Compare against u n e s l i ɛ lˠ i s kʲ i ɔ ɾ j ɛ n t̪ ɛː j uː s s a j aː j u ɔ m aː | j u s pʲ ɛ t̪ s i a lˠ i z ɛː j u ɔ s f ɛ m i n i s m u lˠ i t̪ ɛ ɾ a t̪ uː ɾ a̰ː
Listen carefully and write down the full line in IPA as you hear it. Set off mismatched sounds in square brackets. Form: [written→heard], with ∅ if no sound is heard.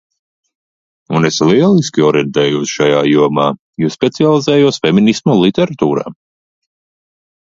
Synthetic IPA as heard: u n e s l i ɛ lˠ i s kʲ i ɔ ɾ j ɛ n t̪ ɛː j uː s [s→ʃ] a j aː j u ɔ m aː | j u s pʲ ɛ t̪ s i a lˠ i z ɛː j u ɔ s f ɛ m i n i s m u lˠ i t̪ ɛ ɾ a t̪ uː ɾ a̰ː